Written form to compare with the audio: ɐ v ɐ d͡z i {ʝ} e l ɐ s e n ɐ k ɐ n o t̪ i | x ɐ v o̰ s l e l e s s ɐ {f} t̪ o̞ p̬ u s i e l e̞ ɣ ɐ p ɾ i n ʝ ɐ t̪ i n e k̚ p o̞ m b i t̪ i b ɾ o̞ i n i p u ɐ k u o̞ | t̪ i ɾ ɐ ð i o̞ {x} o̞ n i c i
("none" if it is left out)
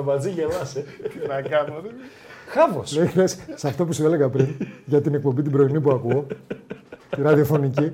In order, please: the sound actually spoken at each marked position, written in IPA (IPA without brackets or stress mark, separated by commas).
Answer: ʝ, f, f